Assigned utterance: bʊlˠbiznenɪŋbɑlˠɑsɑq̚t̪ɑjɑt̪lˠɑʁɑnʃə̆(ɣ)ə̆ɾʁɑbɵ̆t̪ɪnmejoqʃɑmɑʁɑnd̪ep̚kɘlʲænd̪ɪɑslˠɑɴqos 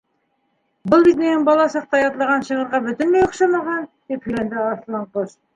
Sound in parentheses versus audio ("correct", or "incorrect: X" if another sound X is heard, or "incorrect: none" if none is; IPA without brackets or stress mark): incorrect: ʁ